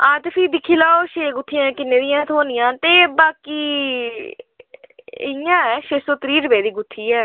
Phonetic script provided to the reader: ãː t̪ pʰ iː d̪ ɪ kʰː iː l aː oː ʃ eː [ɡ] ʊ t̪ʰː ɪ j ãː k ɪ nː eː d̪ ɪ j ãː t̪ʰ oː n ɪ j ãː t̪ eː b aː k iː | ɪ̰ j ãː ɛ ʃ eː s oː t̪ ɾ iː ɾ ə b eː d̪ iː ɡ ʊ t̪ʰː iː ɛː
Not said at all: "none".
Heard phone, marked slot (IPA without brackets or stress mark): ɡ